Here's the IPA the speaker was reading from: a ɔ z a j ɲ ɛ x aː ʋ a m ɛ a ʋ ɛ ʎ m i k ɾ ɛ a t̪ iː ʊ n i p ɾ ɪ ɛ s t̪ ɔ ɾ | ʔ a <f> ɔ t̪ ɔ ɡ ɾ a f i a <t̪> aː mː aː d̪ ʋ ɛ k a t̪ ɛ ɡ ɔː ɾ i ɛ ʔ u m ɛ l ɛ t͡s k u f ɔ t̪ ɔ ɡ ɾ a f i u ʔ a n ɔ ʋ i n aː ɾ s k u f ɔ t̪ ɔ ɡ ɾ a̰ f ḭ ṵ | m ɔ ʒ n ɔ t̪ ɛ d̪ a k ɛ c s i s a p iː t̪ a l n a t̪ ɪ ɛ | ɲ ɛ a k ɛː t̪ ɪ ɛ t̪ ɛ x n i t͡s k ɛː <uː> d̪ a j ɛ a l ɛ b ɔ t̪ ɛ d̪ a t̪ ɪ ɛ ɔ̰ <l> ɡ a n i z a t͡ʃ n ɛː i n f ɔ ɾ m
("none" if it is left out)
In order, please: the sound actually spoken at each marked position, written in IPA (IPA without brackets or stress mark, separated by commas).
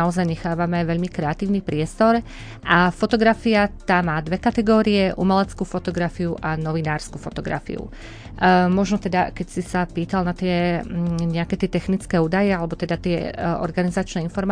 f, t̪, uː, ɾ